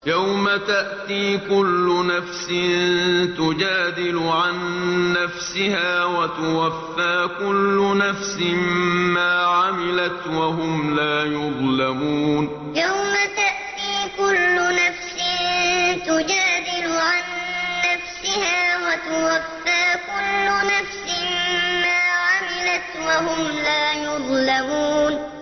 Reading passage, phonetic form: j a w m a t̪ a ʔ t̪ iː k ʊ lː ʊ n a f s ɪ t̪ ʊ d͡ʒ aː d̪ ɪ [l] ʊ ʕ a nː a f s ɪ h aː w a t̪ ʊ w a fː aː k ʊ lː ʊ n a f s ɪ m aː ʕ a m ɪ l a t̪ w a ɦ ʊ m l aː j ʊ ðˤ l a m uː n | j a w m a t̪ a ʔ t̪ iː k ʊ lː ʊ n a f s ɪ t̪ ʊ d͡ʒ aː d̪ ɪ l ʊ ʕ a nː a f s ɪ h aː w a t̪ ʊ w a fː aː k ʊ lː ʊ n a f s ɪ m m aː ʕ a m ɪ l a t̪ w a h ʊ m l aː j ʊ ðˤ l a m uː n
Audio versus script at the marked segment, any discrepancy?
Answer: no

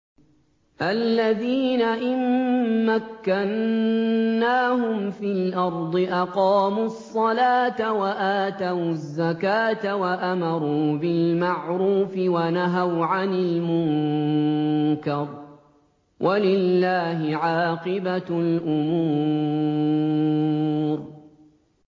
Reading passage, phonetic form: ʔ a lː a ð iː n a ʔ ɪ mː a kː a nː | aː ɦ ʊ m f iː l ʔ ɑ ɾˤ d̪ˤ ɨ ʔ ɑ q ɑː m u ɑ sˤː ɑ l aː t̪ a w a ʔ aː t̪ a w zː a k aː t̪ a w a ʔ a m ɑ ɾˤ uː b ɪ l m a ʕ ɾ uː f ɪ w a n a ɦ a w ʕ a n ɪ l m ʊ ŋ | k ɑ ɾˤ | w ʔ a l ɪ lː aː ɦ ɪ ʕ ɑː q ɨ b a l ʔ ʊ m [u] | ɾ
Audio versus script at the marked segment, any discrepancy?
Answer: yes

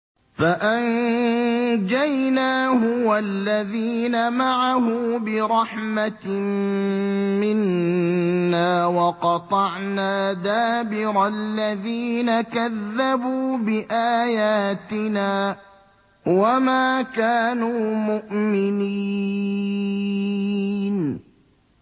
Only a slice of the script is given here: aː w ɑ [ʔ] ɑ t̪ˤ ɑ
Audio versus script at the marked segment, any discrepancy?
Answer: yes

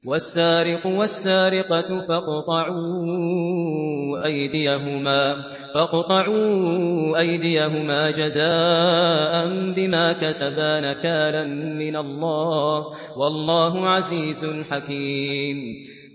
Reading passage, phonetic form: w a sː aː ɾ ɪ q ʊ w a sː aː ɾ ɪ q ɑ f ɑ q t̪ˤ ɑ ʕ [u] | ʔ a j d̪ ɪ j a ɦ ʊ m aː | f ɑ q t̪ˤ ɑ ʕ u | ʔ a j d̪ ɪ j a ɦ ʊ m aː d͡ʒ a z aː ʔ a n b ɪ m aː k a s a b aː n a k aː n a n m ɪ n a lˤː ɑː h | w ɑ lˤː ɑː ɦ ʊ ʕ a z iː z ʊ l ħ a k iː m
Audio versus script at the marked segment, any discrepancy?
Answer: yes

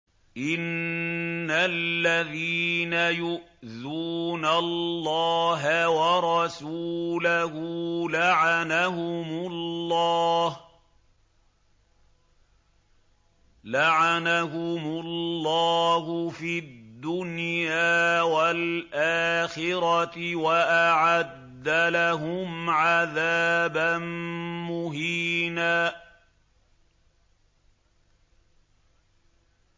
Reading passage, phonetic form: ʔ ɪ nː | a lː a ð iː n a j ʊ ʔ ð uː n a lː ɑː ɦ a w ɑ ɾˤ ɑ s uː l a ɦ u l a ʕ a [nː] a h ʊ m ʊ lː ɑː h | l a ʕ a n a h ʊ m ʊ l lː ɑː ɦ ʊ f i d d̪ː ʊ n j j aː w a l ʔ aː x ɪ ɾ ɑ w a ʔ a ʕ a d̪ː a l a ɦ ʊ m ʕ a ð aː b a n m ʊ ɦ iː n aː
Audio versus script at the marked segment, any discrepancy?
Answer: yes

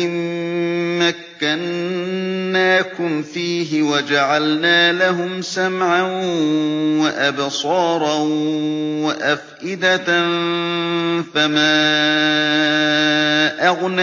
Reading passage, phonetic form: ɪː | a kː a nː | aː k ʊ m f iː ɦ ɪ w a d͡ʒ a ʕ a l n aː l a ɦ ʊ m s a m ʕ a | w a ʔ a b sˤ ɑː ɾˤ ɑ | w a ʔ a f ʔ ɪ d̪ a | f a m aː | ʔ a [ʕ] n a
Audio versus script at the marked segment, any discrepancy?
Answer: yes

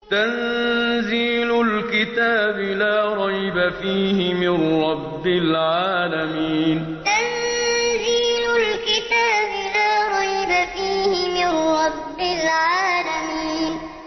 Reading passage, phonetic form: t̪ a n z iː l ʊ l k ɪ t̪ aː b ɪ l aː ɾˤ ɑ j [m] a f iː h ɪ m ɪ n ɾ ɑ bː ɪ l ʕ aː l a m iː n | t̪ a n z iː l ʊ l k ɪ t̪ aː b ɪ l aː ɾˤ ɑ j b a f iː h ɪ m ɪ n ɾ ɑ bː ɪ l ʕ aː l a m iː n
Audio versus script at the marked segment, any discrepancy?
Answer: yes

